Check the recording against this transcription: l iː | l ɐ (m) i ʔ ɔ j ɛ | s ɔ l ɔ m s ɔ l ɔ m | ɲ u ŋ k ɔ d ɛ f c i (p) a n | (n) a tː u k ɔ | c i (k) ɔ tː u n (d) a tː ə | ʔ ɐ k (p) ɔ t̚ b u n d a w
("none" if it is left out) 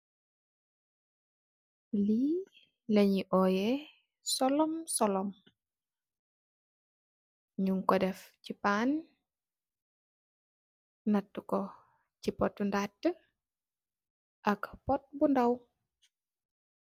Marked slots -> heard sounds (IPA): ɲ, p, n, p, d, p

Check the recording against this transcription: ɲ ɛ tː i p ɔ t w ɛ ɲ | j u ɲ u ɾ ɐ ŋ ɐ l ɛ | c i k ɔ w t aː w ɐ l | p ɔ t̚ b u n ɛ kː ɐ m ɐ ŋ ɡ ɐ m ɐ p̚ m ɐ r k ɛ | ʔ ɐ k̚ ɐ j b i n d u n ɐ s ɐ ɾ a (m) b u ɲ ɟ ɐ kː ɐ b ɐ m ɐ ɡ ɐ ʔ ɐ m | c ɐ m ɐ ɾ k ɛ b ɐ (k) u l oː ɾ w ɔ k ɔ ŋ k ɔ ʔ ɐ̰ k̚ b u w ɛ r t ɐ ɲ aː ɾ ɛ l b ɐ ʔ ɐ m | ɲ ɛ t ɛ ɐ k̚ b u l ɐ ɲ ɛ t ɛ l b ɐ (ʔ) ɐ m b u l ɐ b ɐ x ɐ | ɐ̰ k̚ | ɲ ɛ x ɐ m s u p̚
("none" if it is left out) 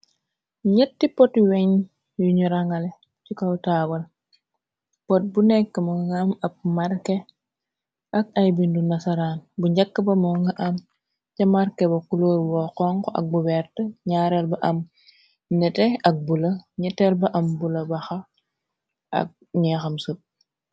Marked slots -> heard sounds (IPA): n, k, ʔ

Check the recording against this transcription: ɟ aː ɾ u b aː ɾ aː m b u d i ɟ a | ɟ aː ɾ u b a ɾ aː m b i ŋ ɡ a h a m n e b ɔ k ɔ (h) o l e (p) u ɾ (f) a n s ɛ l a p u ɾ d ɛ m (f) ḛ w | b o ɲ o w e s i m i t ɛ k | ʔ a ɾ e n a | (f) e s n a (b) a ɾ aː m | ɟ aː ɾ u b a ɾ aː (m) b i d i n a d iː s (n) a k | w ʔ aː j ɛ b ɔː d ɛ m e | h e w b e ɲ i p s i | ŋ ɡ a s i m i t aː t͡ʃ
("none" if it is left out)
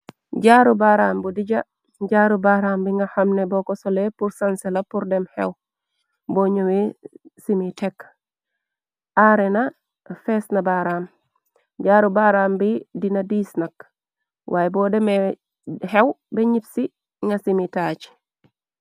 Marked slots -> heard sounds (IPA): s, p, s, h, f, b, m, n

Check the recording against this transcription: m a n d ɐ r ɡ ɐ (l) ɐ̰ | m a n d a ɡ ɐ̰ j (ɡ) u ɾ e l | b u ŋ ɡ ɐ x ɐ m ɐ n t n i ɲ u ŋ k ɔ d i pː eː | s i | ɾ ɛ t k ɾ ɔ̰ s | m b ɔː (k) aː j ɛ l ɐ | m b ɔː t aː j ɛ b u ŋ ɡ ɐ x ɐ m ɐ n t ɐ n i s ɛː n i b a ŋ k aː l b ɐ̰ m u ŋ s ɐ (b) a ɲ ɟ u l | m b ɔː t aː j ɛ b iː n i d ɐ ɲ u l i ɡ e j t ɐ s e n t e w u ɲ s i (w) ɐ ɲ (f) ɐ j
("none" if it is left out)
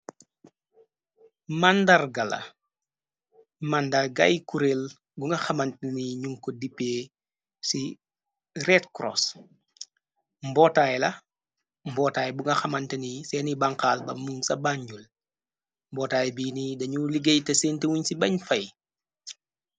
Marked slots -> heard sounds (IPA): l, k, t, b, b, f

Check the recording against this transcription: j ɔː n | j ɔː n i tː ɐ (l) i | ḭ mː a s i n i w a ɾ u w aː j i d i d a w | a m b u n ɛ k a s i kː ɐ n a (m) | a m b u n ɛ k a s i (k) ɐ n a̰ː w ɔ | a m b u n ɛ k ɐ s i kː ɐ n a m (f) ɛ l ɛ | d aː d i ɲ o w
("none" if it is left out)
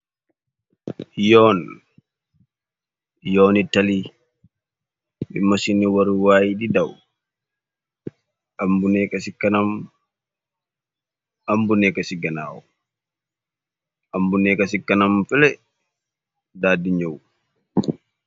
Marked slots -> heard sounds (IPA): l, m, ɡ, f

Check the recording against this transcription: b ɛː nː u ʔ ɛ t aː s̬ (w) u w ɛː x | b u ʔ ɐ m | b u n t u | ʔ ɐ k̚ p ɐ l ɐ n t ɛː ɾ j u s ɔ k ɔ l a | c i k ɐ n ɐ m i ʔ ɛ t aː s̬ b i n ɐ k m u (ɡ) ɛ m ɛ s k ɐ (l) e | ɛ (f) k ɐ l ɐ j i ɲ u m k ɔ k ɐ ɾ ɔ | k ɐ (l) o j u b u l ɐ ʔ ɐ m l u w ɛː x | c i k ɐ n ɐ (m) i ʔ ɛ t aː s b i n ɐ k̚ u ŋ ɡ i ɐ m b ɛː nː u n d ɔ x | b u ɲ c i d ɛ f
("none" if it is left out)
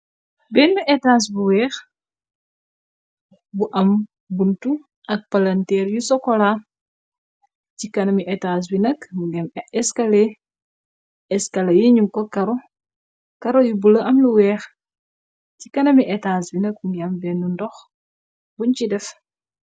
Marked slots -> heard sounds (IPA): b, ɡ, l, s, ɾ, m

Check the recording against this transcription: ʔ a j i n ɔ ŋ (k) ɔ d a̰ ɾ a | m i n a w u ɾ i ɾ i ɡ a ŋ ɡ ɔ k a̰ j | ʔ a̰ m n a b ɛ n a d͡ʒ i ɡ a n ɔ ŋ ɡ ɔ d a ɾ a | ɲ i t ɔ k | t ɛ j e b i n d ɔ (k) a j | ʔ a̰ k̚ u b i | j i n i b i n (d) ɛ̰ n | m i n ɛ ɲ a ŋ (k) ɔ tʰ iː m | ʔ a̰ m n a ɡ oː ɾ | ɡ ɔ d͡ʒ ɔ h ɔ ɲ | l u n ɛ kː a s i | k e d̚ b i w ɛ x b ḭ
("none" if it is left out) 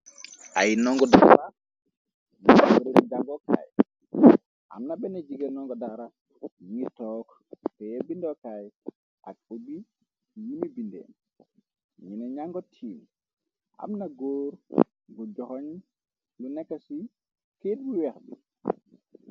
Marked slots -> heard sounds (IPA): ɡ, k, d, ɡ

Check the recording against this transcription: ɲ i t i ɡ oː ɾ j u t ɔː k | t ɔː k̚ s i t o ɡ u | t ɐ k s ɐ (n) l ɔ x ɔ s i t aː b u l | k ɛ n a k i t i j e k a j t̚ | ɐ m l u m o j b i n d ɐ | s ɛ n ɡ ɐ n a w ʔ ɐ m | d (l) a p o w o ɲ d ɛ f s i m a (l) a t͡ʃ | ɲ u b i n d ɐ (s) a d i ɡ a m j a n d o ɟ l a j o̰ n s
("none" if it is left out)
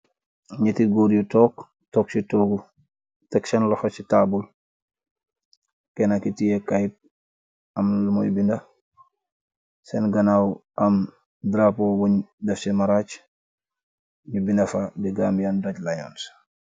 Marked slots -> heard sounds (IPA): n, ɾ, ɾ, f

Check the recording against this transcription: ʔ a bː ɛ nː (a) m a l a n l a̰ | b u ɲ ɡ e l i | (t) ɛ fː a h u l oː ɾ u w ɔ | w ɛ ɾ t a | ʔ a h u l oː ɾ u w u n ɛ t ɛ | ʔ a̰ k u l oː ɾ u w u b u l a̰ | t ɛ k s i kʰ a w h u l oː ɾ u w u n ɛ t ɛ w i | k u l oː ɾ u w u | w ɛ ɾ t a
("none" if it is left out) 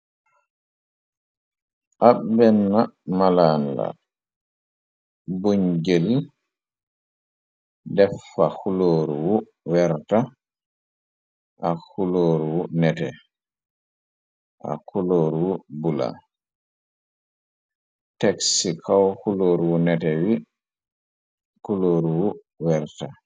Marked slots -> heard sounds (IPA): a, d

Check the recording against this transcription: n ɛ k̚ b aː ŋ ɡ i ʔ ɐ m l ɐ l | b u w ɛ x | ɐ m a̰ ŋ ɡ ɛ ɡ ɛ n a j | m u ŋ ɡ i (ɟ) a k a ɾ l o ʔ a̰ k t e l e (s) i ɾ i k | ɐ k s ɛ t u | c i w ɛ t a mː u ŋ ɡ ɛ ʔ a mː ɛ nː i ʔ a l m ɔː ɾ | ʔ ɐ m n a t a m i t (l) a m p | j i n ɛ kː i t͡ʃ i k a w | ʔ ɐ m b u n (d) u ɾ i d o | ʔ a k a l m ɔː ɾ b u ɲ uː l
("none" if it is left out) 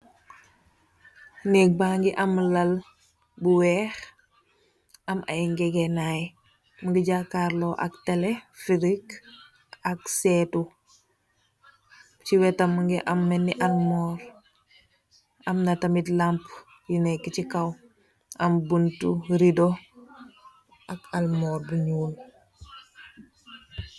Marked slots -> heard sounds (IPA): ɟ, f, l, t

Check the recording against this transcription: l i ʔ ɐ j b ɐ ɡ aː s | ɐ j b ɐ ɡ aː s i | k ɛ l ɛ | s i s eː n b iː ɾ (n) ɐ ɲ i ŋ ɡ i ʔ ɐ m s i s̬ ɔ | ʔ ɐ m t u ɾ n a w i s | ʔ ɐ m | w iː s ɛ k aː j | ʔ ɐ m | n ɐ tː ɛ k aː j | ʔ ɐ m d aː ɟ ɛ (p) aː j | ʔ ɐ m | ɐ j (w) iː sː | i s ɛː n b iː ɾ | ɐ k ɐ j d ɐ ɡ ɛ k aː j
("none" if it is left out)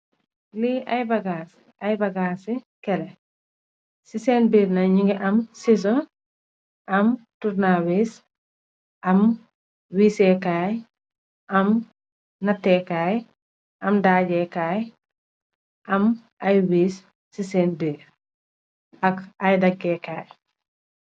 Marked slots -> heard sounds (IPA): n, k, w

